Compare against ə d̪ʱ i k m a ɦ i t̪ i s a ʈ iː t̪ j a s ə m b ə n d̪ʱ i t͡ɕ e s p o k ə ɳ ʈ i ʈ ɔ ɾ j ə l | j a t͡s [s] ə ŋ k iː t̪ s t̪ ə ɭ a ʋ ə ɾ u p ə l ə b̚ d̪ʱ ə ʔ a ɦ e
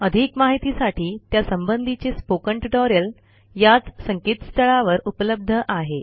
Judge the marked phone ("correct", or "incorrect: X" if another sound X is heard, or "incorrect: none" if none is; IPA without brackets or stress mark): correct